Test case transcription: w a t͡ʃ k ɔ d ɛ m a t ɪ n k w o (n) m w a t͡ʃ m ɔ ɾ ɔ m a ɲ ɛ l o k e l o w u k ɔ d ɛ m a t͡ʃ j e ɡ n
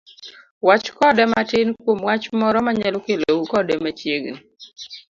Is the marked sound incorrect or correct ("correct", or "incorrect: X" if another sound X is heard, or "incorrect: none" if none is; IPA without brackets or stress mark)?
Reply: incorrect: none